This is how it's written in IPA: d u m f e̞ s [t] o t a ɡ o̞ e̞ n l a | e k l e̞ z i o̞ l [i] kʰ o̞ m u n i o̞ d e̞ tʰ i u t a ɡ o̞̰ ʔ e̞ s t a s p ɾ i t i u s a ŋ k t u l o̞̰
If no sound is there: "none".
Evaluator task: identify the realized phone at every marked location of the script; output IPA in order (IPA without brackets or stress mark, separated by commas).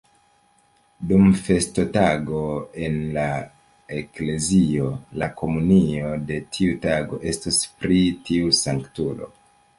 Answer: t, a